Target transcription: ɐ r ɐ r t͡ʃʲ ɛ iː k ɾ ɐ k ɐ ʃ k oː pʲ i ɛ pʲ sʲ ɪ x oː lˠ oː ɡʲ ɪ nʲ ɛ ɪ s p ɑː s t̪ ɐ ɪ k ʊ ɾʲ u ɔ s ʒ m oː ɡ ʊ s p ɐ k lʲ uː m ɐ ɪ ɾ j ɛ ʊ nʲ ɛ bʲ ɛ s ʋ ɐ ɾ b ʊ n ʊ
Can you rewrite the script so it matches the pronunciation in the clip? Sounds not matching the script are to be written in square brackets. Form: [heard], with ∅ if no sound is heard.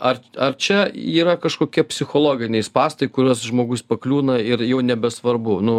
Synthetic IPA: ɐ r ɐ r t͡ʃʲ ɛ iː [∅] ɾ ɐ k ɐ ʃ k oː [kʲ] i ɛ pʲ sʲ ɪ x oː lˠ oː ɡʲ ɪ nʲ ɛ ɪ s p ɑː s t̪ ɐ ɪ k ʊ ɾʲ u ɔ s ʒ m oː ɡ ʊ s p ɐ k lʲ uː [n] ɐ ɪ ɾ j ɛ ʊ nʲ ɛ bʲ ɛ s ʋ ɐ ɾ b ʊ n ʊ